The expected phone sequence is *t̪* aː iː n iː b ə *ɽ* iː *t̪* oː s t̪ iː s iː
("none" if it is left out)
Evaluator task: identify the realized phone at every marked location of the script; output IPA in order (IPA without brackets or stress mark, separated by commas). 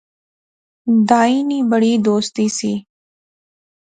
d̪, ɽ, d̪